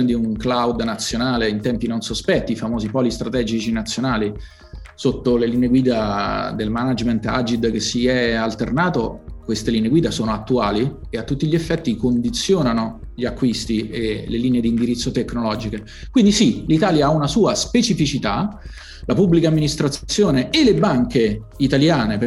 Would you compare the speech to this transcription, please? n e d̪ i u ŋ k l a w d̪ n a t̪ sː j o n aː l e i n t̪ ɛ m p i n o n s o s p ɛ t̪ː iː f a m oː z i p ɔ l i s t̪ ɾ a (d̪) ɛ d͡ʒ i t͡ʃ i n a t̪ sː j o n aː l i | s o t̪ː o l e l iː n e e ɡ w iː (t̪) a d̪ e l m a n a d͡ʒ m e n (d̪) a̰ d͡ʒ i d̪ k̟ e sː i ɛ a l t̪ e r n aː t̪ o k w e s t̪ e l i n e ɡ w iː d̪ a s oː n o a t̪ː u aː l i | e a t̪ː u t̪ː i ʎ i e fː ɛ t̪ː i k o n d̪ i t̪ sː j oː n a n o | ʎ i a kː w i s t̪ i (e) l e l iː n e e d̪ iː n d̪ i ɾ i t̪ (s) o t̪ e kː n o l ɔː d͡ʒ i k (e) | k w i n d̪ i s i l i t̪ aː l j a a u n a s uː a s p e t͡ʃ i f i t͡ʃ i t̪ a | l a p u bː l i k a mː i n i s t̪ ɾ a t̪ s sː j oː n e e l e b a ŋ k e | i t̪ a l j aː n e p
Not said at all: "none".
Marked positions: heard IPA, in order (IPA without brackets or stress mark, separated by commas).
t̪, d̪, t̪, e, sː, e